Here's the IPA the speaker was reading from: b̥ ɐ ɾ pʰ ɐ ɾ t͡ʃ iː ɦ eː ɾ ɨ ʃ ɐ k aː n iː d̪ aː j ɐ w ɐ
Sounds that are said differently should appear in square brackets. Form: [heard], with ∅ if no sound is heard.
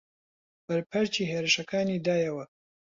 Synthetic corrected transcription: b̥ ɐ ɾ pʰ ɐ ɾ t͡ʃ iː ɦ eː ɾ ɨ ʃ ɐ k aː n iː d̪ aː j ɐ w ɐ

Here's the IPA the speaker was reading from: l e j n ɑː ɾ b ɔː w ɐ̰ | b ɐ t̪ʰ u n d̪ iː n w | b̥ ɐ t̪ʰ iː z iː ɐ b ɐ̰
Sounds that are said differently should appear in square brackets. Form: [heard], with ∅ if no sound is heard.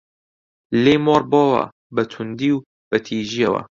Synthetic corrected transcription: l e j [m] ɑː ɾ b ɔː w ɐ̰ | b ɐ t̪ʰ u n d̪ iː [∅] w | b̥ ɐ t̪ʰ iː [ʒ] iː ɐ [w] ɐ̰

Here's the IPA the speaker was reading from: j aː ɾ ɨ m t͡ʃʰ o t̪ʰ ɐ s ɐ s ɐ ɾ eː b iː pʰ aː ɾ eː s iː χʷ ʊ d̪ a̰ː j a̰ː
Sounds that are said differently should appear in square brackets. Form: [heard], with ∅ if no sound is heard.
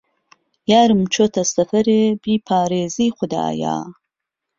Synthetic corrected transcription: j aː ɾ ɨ m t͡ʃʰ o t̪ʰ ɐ s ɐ [f] ɐ ɾ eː b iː pʰ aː ɾ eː [z] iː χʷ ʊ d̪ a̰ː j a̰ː

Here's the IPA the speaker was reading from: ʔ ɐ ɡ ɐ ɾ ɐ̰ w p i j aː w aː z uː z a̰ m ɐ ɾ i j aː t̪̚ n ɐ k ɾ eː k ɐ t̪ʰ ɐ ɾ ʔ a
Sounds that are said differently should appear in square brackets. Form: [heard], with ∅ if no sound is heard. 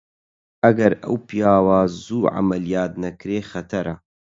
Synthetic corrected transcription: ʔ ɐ ɡ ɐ ɾ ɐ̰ w p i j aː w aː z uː [ʕ] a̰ m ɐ [l] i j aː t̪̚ n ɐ k ɾ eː [x] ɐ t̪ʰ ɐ ɾ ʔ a

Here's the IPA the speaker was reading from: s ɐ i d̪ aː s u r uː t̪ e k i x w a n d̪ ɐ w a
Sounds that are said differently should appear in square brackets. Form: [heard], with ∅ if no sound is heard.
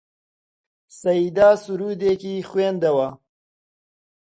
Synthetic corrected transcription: s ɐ i d̪ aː s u [ɾ] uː [d̪] e k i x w [e] n d̪ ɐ w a

